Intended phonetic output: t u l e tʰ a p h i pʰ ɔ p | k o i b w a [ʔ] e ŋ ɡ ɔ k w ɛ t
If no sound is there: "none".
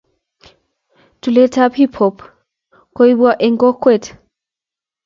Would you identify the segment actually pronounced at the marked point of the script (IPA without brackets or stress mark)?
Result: ʔ